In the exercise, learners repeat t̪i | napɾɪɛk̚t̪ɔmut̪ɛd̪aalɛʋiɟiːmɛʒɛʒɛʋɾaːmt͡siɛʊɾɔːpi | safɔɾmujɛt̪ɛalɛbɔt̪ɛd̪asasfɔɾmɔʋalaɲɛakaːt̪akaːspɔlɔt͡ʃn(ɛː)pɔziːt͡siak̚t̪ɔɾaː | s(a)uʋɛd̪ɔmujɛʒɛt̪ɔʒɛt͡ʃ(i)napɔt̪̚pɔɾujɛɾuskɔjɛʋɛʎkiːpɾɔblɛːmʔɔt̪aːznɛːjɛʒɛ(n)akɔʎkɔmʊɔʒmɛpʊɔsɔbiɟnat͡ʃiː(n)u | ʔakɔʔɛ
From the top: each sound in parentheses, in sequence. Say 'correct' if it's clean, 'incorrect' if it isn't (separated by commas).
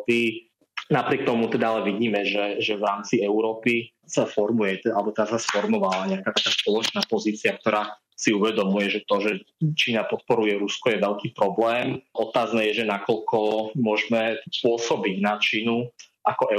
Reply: incorrect, incorrect, incorrect, correct, correct